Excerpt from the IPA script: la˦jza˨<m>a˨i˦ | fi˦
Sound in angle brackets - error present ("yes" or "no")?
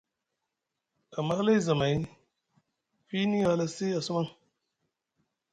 no